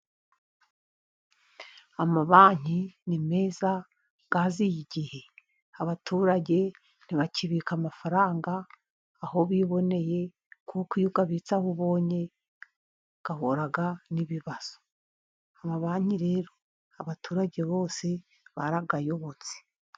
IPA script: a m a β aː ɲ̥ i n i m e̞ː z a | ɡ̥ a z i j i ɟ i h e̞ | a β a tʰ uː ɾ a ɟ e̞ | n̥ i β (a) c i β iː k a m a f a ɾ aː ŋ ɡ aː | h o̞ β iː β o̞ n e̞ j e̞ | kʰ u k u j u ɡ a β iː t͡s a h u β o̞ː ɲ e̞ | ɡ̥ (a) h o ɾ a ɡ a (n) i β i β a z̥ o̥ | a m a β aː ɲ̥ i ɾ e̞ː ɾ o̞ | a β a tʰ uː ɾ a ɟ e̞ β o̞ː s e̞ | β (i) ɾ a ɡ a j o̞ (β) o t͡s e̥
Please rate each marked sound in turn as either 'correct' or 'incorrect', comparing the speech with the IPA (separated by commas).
correct, correct, correct, incorrect, correct